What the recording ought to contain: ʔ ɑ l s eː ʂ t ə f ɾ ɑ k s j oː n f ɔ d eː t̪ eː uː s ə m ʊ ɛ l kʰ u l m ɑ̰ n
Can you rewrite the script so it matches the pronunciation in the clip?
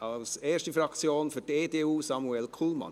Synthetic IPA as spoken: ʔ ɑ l s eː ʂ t ə f ɾ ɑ k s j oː n f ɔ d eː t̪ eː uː s ɑ m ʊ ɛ l kʰ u l m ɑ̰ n